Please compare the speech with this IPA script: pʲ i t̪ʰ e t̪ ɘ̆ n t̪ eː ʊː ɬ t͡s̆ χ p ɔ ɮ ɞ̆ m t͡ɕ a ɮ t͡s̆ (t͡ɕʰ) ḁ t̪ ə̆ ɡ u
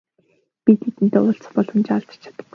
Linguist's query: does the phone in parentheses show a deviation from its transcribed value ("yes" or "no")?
no